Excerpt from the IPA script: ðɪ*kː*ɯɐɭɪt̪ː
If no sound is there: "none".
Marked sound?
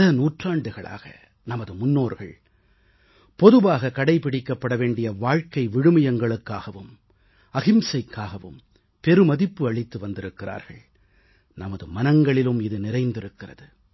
pː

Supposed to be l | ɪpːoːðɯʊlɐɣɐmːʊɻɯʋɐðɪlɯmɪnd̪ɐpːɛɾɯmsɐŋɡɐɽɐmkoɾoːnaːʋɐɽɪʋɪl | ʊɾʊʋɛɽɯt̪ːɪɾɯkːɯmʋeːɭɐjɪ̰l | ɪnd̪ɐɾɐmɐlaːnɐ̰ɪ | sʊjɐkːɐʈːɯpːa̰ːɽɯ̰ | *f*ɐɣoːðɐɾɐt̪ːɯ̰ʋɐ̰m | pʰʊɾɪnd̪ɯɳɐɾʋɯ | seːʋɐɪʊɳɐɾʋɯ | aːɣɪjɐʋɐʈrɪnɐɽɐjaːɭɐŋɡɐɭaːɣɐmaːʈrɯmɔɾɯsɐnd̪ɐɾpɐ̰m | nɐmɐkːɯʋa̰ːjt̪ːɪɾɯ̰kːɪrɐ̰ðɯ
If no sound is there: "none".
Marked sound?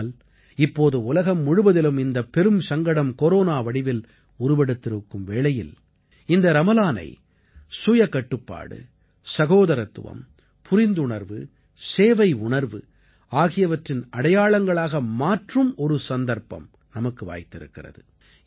s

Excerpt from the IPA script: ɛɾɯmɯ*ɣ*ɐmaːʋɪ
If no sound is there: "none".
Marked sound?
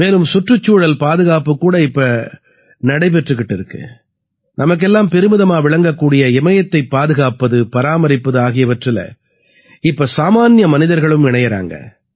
ð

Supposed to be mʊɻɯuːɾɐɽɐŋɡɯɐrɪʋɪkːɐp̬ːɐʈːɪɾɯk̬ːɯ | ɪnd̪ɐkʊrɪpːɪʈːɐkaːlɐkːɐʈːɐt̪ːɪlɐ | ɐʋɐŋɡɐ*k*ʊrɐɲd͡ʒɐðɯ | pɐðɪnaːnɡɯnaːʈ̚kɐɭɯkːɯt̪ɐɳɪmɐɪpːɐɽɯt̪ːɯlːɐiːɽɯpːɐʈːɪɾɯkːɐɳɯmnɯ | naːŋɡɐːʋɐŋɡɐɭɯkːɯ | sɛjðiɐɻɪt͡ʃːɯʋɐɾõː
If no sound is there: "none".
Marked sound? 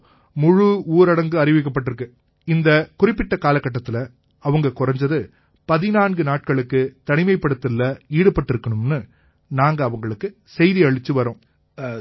k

